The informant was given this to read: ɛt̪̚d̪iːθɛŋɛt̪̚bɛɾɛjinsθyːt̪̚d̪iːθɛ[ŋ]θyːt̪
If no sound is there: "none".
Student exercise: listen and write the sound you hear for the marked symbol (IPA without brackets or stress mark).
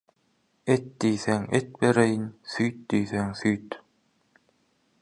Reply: ŋ